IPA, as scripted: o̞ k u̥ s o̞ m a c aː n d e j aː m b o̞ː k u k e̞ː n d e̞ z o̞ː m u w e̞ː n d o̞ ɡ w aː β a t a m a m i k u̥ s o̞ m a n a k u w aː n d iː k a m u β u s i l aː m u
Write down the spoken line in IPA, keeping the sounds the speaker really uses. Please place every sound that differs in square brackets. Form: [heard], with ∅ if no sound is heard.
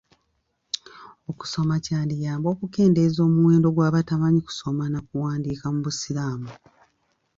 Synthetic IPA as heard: o̞ k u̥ s o̞ m a c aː n d [i] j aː m b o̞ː k u k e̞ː n d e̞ z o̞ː m u w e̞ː n d o̞ ɡ w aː β a t a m a [ɲ] i k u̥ s o̞ m a n a k u w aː n d iː k a m u β u s i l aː m u